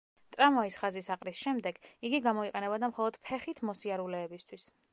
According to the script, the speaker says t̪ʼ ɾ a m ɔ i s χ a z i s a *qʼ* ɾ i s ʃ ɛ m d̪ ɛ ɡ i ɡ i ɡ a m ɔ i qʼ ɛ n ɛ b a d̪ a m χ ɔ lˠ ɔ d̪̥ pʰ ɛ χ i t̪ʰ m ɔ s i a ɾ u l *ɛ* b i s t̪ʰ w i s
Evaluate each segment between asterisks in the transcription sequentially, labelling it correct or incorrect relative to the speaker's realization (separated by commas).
correct, incorrect